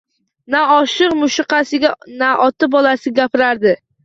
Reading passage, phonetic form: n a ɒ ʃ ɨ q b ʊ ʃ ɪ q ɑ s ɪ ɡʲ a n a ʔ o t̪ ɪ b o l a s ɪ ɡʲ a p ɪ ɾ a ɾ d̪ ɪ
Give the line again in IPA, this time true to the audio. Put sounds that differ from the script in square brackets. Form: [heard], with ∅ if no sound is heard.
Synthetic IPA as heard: n a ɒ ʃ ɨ q [m] ʊ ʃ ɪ q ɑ s ɪ ɡʲ a n a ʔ [ɒ] t̪ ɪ b [ɒ] l a s ɪ ɡʲ a p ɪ ɾ a ɾ d̪ ɪ